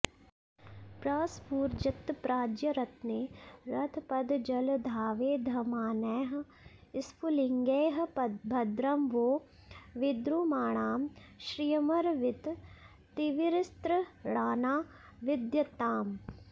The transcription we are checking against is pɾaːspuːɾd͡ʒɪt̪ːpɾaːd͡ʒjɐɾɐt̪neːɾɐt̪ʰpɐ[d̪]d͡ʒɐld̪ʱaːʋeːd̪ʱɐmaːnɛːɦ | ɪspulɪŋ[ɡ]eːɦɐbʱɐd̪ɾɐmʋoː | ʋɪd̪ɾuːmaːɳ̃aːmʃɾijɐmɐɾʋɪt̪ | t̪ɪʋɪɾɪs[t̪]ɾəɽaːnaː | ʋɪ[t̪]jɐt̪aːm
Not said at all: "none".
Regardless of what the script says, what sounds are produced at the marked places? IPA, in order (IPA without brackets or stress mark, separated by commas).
d̪, ɡ, t̪, d̪